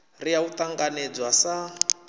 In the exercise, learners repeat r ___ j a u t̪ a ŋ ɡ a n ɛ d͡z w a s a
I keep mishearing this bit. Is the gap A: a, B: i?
B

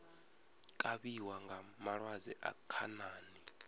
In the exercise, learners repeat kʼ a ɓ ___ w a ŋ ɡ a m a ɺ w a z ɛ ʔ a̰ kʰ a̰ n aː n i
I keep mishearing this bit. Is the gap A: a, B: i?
B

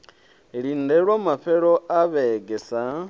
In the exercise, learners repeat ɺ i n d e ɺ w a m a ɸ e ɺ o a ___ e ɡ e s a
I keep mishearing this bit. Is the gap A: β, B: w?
A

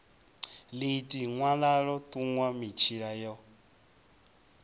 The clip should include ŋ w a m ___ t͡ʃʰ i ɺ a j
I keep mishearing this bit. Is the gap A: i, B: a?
A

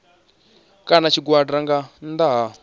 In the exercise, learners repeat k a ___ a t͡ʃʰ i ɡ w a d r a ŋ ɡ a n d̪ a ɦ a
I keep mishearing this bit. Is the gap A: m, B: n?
B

